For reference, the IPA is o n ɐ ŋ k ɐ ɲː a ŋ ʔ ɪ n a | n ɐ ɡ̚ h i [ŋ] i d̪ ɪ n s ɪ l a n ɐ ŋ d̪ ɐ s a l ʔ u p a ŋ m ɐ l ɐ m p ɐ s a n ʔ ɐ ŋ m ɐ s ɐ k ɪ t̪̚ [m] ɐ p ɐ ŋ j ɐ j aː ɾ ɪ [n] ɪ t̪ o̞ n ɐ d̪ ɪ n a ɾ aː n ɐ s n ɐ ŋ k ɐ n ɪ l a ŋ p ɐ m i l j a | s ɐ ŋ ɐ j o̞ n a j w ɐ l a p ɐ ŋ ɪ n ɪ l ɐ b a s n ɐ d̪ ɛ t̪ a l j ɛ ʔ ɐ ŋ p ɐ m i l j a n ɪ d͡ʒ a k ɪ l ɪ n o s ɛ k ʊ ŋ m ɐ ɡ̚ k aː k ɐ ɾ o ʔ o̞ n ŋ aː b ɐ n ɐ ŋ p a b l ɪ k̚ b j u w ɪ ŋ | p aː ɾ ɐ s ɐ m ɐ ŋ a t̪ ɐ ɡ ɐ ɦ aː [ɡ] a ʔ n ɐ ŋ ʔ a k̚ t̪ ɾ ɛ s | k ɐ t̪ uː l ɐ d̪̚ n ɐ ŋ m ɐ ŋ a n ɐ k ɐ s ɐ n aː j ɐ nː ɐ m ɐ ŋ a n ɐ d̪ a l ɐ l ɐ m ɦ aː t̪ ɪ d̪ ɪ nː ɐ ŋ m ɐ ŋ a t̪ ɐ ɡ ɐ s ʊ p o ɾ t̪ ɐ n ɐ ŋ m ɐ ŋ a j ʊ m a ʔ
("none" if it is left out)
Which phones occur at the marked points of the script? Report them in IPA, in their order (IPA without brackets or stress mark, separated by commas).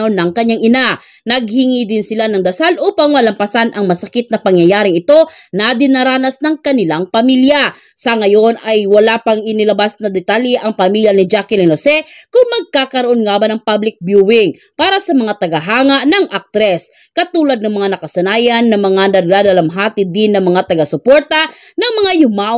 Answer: ŋ, n, ŋ, ŋ